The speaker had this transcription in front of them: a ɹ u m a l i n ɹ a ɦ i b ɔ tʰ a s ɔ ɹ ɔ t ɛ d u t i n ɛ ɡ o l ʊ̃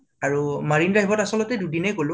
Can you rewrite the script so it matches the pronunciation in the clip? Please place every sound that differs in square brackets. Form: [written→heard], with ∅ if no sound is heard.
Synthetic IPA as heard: a ɹ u m a [l→ɹ] i n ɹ a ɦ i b ɔ [tʰ→t] a s ɔ [ɹ→l] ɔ t ɛ d u [t→d] i n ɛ ɡ o l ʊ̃